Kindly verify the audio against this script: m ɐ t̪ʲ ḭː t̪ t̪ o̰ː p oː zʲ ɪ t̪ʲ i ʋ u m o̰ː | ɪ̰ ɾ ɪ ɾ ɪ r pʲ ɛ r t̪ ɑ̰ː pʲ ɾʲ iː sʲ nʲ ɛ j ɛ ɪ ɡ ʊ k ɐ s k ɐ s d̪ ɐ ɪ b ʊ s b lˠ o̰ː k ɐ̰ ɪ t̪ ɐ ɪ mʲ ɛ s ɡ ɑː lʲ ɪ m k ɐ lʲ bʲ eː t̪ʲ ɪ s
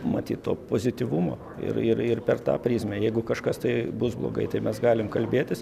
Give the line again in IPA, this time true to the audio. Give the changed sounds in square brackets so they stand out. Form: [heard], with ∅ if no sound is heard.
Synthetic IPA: m ɐ t̪ʲ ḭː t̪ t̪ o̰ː p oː zʲ ɪ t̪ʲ i ʋ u m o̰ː | ɪ̰ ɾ ɪ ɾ ɪ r pʲ ɛ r t̪ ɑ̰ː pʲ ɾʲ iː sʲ [mʲ] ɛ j ɛ ɪ ɡ ʊ k ɐ [ʃ] k ɐ s [t̪] ɐ ɪ b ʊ s b lˠ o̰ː [ɡ] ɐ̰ ɪ t̪ ɐ ɪ mʲ ɛ s ɡ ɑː lʲ ɪ m k ɐ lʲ bʲ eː t̪ʲ ɪ s